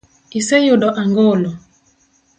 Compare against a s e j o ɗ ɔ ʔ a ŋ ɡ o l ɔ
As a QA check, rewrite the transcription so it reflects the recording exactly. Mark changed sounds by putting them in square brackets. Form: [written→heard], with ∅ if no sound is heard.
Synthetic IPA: [a→i] s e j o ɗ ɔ ʔ a ŋ ɡ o l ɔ